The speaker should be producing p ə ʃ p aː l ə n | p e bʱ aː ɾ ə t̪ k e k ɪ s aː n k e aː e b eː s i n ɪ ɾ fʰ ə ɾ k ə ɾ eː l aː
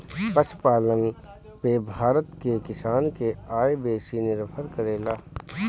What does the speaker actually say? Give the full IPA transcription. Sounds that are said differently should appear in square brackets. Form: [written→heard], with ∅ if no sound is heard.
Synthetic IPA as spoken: p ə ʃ p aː l ə n | p e bʱ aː ɾ ə t̪ k e k ɪ s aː n k e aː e b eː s i n ɪ ɾ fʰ ə ɾ k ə ɾ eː l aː